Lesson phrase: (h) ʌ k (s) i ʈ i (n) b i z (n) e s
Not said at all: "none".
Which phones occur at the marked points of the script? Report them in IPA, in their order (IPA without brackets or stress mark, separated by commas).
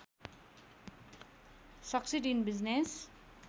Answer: s, s, n, n